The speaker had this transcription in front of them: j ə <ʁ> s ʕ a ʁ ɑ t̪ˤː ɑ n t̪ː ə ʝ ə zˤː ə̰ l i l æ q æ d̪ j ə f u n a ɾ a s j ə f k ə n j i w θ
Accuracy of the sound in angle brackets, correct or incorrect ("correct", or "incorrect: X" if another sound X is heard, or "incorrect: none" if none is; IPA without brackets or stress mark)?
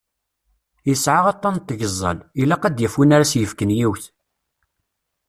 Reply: incorrect: none